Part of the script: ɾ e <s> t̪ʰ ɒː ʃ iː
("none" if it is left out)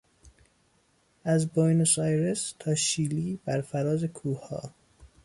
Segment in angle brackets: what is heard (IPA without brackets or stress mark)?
s